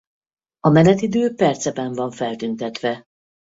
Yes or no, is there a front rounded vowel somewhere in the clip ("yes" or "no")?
yes